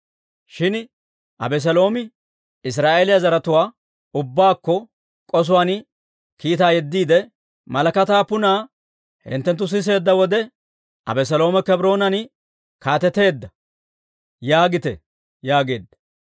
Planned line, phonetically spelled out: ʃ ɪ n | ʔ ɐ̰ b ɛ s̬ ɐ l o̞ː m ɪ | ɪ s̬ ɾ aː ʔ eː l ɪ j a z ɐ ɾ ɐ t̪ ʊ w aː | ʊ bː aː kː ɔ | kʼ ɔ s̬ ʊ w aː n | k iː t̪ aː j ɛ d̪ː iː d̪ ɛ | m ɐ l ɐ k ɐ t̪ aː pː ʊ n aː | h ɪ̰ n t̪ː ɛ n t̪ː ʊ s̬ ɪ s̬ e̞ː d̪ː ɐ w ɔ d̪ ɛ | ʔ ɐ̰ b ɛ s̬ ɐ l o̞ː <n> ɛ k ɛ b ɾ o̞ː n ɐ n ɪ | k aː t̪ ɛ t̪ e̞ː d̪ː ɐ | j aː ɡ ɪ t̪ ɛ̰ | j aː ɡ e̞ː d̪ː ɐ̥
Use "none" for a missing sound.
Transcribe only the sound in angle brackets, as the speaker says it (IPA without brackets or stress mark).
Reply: m